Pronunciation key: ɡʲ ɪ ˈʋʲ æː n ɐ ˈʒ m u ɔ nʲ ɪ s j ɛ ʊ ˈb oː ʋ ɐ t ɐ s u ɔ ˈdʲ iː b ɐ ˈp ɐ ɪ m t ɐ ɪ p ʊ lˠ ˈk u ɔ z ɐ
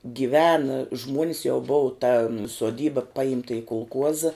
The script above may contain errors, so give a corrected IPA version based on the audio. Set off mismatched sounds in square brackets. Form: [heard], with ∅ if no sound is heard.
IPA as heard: ɡʲ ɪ ˈʋʲ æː n ɐ ˈʒ m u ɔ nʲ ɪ s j ɛ ʊ ˈb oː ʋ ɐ t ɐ s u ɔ ˈdʲ iː b ɐ ˈp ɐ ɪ m t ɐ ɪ [k] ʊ lˠ ˈk u ɔ z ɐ